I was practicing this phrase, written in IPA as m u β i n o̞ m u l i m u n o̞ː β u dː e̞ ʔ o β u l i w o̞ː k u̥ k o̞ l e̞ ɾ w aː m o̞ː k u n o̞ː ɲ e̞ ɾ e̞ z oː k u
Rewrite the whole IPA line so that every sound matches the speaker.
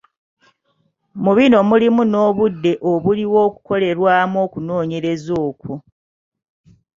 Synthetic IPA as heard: m u β i n o̞ m u l i m u n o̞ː β u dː e̞ ʔ o β u l i w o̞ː k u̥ k o̞ l e̞ ɾ w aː m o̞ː k u n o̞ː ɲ e̞ ɾ e̞ z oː k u